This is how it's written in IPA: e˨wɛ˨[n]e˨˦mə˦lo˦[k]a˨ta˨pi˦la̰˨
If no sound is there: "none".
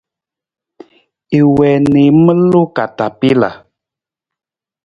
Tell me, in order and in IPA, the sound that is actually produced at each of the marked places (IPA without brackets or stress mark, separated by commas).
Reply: n, k